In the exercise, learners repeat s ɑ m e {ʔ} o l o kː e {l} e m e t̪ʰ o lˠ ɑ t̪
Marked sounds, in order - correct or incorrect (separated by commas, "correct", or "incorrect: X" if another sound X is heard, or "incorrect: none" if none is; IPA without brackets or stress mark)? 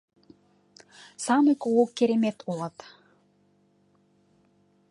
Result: incorrect: k, incorrect: ɾ